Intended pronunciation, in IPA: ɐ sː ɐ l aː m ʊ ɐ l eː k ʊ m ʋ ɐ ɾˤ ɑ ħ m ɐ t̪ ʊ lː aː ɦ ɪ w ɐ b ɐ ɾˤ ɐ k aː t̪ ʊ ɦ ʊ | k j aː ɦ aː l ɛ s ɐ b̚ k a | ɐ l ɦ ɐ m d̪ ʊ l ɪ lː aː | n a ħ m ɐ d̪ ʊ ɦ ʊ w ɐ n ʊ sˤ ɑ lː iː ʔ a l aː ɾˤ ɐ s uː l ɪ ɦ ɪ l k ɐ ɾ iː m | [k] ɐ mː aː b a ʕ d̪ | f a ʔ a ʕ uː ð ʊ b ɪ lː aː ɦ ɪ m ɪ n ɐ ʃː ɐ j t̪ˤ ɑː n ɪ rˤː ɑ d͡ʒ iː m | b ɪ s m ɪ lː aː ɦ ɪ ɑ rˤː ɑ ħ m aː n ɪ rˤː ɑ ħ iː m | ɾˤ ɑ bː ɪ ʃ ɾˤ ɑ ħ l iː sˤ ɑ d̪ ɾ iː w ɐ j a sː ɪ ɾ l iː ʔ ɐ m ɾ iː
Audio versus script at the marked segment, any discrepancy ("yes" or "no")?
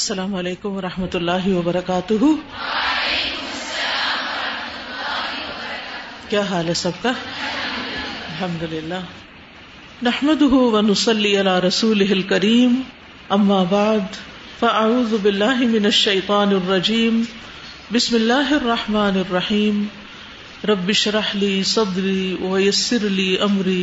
yes